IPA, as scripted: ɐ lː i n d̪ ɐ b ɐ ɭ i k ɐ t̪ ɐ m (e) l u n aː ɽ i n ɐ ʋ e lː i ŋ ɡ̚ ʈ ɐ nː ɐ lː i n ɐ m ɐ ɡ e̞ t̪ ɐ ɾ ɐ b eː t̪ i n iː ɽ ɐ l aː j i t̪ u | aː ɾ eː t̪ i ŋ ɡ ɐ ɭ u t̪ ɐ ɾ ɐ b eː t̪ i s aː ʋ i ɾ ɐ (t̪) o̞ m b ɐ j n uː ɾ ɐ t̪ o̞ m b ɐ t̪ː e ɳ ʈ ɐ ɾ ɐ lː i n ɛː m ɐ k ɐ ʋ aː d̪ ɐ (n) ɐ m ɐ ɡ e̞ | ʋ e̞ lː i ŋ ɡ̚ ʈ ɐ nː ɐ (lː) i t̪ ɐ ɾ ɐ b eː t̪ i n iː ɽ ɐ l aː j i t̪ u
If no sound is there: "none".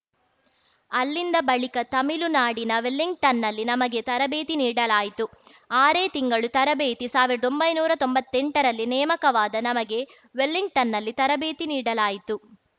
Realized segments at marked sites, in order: i, d̪, n, lː

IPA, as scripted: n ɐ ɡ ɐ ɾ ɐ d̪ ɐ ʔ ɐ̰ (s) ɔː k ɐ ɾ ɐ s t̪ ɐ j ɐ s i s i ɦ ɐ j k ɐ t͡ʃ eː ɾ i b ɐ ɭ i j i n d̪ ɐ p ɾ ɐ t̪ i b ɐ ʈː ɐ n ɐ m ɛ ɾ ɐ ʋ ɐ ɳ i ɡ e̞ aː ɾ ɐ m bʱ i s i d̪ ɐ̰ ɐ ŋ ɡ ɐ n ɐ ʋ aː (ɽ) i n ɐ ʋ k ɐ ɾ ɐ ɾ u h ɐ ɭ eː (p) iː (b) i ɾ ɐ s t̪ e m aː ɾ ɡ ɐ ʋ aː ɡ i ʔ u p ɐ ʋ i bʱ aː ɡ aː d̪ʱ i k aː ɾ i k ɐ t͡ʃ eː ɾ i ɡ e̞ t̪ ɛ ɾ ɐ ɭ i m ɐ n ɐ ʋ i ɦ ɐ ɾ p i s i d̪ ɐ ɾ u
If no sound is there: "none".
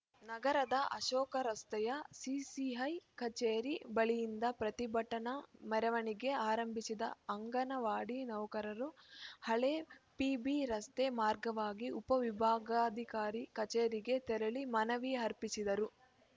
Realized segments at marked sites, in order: ʃ, ɽ, p, b

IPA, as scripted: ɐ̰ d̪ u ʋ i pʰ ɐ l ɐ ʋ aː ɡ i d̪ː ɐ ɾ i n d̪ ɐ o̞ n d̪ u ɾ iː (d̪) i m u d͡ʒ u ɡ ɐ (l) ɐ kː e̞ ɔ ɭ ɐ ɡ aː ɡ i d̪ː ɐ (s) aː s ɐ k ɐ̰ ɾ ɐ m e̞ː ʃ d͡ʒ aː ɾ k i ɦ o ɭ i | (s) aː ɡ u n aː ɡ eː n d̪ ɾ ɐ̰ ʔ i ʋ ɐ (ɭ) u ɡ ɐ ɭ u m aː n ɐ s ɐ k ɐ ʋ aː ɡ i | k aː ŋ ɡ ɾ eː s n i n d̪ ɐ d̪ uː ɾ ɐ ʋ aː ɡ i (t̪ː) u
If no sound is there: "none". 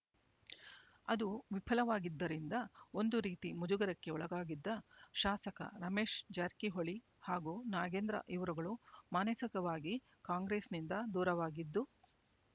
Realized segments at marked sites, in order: t̪, ɾ, ʃ, h, ɾ, d̪ː

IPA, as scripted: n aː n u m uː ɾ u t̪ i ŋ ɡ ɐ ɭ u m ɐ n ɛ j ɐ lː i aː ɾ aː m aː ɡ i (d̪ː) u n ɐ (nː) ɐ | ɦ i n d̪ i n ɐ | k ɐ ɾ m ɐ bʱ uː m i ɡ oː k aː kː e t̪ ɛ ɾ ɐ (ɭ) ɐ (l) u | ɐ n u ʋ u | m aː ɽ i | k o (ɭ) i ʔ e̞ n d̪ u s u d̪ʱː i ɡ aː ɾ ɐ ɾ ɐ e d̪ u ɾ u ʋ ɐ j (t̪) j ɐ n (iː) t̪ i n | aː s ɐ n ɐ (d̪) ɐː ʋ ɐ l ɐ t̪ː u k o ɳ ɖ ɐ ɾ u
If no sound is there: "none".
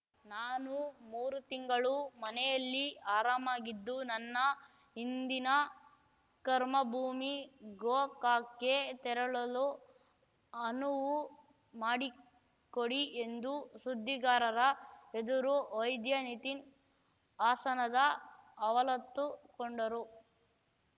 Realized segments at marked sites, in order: d̪ː, nː, ɭ, l, ɽ, d̪, i, d̪

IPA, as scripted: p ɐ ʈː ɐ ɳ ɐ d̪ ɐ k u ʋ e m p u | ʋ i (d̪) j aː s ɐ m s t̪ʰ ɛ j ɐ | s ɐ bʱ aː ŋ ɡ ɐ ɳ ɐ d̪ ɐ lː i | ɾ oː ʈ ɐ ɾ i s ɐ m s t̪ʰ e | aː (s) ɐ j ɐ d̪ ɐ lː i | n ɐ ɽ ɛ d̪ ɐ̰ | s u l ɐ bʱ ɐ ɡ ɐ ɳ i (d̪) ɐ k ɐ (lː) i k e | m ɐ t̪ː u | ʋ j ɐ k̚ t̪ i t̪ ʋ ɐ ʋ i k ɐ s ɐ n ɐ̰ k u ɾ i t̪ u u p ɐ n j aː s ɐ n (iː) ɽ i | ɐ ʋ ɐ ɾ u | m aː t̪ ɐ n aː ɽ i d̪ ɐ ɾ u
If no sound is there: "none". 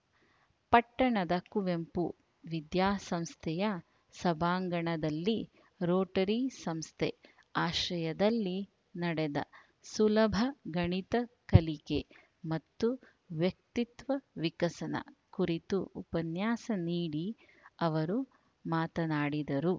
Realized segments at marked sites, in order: d̪, ʃ, t̪, l, iː

